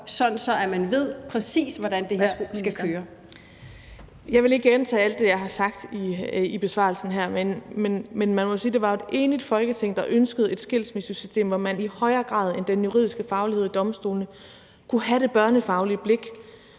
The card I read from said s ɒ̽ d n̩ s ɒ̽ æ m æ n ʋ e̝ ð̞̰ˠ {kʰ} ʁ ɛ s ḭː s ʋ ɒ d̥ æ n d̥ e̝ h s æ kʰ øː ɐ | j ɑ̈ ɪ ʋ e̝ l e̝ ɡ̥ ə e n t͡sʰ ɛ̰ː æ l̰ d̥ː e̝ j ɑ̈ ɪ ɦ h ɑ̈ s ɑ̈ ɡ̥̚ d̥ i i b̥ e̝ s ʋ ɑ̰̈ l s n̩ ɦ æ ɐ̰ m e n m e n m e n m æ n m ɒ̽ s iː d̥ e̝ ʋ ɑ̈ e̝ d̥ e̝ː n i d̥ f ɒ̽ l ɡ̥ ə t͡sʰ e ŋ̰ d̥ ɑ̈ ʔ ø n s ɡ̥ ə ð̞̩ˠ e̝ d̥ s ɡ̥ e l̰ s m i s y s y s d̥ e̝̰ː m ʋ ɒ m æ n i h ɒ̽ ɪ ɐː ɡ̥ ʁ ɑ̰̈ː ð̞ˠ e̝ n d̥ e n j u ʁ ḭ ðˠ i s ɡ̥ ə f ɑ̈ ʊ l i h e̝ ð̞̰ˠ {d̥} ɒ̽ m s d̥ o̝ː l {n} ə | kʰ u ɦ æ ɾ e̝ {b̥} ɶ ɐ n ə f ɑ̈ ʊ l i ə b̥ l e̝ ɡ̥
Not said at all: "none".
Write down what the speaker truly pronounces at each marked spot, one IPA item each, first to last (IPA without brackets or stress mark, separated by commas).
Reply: pʰ, d̥, n, b̥